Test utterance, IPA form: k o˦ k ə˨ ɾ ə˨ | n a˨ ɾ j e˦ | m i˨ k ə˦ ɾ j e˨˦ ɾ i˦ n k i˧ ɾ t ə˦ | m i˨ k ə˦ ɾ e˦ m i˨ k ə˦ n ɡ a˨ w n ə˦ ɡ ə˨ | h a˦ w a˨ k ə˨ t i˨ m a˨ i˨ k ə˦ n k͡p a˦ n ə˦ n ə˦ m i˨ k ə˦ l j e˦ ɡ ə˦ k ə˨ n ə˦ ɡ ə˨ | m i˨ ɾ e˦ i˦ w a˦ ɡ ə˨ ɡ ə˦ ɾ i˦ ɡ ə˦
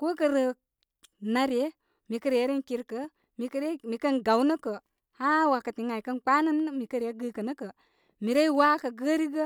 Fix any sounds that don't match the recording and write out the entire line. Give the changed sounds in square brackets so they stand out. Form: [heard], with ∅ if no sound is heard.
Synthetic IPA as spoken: k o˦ k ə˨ ɾ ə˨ | n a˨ ɾ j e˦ | m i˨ k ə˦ ɾ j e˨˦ ɾ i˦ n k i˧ ɾ [k] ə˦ | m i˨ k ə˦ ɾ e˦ m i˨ k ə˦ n ɡ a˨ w n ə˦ [k] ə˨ | h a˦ w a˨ k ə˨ t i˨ [ŋ] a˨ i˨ k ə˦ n k͡p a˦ n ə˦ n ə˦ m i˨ k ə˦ [ɾ] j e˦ ɡ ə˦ k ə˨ n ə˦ [k] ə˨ | m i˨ ɾ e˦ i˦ w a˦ [k] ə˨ ɡ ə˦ ɾ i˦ ɡ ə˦